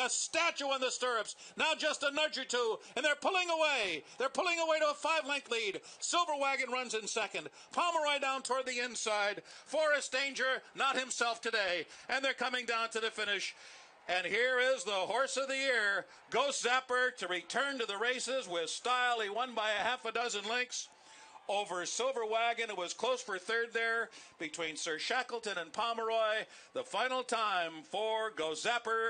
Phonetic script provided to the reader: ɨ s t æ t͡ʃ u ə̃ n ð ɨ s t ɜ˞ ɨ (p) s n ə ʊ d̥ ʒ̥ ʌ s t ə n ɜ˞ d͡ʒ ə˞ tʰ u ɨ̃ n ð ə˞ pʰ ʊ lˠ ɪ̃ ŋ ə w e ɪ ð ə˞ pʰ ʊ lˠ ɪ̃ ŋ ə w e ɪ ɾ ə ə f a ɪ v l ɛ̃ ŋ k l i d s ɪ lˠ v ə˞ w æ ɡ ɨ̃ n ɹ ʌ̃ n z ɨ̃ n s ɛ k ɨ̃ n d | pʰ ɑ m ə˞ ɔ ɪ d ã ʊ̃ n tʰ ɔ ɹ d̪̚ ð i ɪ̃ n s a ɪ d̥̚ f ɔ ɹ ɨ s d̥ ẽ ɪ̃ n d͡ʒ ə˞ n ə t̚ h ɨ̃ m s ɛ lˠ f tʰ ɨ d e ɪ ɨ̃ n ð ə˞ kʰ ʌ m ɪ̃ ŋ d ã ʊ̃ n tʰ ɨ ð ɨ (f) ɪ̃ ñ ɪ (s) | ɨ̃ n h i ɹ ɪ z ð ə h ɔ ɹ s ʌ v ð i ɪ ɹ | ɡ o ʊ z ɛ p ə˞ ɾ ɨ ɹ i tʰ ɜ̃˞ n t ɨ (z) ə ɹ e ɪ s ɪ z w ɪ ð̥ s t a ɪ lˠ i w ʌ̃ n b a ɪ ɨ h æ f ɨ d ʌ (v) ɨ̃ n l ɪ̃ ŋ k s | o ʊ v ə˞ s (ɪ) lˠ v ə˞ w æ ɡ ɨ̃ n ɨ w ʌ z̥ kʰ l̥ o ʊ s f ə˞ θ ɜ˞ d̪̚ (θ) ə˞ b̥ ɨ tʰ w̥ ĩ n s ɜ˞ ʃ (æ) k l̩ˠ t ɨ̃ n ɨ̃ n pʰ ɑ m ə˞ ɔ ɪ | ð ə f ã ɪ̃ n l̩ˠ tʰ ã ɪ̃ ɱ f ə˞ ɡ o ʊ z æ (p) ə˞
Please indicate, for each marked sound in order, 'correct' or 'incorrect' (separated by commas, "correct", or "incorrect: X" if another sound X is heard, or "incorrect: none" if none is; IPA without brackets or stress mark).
correct, correct, incorrect: ʃ, incorrect: ð, incorrect: z, correct, incorrect: ð, correct, correct